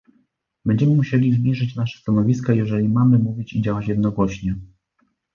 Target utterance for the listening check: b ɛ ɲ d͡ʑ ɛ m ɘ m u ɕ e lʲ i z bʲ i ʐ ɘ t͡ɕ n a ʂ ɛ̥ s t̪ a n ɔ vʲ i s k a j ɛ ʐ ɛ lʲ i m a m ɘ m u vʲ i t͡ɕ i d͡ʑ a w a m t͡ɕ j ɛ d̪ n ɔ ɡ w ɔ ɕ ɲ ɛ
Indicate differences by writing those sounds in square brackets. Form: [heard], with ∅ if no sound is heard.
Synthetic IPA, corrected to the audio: b ɛ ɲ d͡ʑ ɛ m ɘ m u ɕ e lʲ i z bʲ i ʐ ɘ t͡ɕ n a ʂ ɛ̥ s t̪ a n ɔ vʲ i s k a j ɛ ʐ ɛ lʲ i m a m ɘ m u vʲ i t͡ɕ i d͡ʑ a w a [∅] t͡ɕ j ɛ d̪ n ɔ ɡ w ɔ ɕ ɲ ɛ